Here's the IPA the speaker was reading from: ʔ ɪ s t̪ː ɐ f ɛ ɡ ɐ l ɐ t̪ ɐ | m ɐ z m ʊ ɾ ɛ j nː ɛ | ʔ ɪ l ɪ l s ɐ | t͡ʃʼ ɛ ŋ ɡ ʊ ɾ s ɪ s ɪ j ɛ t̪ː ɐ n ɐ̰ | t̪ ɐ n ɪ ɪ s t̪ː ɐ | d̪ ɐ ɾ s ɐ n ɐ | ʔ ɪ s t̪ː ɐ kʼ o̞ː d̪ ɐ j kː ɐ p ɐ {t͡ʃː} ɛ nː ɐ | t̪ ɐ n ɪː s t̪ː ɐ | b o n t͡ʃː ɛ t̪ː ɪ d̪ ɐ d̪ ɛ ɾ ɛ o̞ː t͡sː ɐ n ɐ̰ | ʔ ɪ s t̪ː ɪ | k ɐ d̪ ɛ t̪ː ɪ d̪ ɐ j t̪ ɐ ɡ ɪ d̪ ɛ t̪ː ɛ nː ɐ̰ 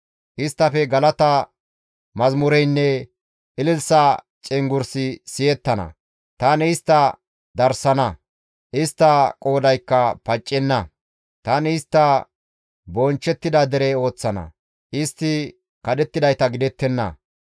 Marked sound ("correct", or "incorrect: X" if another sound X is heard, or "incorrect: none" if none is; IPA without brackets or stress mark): incorrect: t͡ʃʼː